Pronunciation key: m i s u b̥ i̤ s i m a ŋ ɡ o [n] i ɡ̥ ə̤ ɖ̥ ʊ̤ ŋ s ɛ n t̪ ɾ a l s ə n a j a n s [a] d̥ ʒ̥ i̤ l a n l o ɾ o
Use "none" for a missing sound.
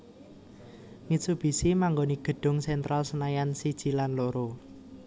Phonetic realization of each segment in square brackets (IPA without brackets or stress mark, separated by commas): n, i